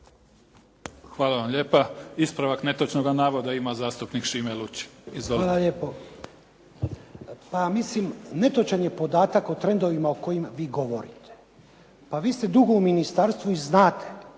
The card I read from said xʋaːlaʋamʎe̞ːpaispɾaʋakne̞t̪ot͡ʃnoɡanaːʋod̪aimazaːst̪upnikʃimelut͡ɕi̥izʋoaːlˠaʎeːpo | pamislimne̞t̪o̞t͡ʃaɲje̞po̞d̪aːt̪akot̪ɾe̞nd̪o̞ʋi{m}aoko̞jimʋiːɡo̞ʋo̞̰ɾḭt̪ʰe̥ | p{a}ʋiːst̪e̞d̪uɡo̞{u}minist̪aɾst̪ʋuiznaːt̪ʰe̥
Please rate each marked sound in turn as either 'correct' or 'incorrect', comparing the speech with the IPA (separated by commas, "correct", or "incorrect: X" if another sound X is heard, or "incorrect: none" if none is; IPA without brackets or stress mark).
correct, correct, correct